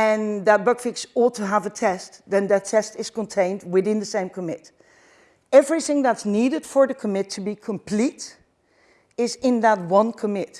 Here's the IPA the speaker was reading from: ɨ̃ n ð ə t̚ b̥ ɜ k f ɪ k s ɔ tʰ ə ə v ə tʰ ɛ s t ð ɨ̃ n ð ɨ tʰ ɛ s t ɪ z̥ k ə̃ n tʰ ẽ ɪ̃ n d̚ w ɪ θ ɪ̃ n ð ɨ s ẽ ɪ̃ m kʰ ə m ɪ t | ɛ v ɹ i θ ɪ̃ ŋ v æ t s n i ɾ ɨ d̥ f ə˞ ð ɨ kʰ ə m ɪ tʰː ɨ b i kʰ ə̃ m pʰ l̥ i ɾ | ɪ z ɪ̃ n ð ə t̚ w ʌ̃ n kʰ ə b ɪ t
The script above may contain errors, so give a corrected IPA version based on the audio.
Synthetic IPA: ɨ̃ n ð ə t̚ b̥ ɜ k f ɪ k s ɔ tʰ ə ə v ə tʰ ɛ s t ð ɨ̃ n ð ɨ tʰ ɛ s t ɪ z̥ k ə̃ n tʰ ẽ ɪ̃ n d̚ w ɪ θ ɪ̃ n ð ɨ s ẽ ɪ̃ m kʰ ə m ɪ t | ɛ v ɹ i θ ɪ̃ ŋ ð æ t s n i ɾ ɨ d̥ f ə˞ ð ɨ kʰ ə m ɪ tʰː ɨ b i kʰ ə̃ m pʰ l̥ i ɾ | ɪ z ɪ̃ n ð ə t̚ w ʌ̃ n kʰ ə m ɪ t